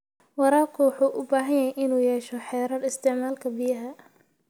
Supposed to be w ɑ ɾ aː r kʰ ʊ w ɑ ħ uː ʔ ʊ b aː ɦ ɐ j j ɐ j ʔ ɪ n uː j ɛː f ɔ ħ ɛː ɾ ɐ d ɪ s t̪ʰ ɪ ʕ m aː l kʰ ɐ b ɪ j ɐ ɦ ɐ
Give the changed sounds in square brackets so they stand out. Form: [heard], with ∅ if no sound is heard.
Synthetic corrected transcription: w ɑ ɾ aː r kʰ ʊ w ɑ ħ uː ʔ ʊ b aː ɦ ɐ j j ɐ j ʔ ɪ n uː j ɛː [ʃ] ɔ ħ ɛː ɾ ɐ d ɪ s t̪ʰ ɪ ʕ m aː l kʰ ɐ b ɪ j ɐ ɦ ɐ